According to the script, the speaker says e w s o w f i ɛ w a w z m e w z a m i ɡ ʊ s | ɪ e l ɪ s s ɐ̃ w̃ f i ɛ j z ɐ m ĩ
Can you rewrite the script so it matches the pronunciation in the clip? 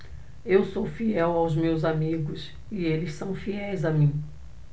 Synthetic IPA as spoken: e w s o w f i ɛ w a w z m e w z a m i ɡ ʊ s | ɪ e l ɪ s s ɐ̃ w̃ f i ɛ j z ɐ m ĩ

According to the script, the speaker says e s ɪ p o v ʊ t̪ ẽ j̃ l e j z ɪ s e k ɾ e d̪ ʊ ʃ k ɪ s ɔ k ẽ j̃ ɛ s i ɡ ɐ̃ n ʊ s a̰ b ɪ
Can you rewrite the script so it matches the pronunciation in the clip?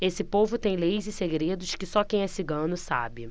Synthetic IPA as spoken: e s ɪ p o v ʊ t̪ ẽ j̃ l e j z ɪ s e ɡ ɾ e d̪ ʊ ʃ k ɪ s ɔ k ẽ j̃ ɛ s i ɡ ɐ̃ n ʊ s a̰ b ɪ

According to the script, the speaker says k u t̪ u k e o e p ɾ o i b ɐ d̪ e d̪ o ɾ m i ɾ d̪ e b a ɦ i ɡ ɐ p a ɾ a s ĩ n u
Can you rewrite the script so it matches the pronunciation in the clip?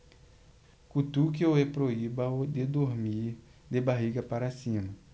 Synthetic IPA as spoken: k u t̪ u k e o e p ɾ o i b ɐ d̪ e d̪ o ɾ m i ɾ d̪ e b a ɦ i ɡ ɐ p a ɾ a s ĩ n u

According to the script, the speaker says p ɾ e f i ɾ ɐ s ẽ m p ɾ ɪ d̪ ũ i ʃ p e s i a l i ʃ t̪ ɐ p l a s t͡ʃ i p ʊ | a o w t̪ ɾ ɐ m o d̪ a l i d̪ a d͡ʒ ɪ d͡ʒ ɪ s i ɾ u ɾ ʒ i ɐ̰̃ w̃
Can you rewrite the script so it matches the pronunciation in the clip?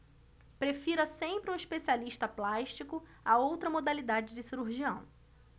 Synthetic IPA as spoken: p ɾ e f i ɾ ɐ s ẽ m p ɾ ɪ ũ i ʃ p e s i a l i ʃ t̪ ɐ p l a ʃ t͡ʃ i k ʊ | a o w t̪ ɾ ɐ m o d̪ a l i d̪ a d͡ʒ ɪ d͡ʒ ɪ s i ɾ u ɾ ʒ i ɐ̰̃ w̃

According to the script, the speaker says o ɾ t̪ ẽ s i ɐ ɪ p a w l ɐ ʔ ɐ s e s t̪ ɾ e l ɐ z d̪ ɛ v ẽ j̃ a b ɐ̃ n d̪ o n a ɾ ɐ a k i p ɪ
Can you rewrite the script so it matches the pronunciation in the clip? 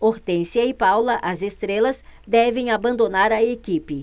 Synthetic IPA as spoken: o ɾ t̪ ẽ s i ɐ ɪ p a w l ɐ ʔ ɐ z e s t̪ ɾ e l ɐ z d̪ ɛ v ẽ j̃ a b ɐ̃ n d̪ o n a ɾ ɐ e k i p ɪ

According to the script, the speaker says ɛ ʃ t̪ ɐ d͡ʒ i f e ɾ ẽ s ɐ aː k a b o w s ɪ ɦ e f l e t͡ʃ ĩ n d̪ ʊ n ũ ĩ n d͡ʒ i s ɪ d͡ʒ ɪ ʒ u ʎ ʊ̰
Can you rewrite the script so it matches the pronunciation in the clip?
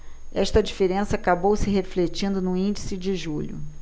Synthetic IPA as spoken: ɛ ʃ t̪ ɐ d͡ʒ i f e ɾ ẽ s ɐ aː k a b o w s ɪ ɦ e f l e t͡ʃ ĩ n d̪ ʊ n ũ ĩ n d͡ʒ i s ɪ d͡ʒ ɪ ʒ u ʎ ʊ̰

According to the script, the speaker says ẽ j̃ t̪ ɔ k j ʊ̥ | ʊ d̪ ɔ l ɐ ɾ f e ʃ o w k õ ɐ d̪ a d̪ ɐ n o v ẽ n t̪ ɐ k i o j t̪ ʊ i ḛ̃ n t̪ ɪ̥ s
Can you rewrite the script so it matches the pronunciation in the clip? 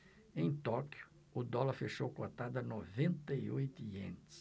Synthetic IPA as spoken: ẽ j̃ t̪ ɔ k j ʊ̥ | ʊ d̪ ɔ l ɐ ɾ f e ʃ o w k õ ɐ t̪ a d̪ ɐ n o v ẽ n t̪ ɐ i o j t̪ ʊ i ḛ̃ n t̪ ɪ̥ s

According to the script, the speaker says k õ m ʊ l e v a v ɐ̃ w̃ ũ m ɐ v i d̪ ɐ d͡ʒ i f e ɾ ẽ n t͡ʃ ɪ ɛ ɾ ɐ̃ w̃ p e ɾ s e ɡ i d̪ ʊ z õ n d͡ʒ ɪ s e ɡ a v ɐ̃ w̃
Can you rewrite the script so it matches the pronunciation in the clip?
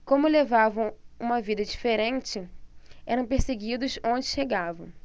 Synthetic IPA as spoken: k õ m ʊ l e v a v ɐ̃ w̃ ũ m ɐ v i d̪ ɐ d͡ʒ i f e ɾ ẽ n t͡ʃ ɪ ɛ ɾ ɐ̃ w̃ p e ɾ s e ɡ i d̪ ʊ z õ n d͡ʒ ɪ ʃ e ɡ a v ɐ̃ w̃

